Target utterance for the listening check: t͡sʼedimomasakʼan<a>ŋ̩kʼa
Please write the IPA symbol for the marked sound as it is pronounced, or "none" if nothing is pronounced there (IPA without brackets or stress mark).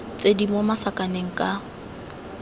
e